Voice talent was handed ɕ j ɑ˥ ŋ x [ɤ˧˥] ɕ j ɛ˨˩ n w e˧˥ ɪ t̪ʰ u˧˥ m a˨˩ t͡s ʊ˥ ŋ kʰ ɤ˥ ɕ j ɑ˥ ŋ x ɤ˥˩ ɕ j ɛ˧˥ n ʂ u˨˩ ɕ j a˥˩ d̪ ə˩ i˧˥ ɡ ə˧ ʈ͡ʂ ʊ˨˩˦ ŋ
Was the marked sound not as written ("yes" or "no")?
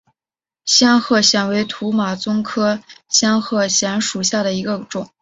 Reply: yes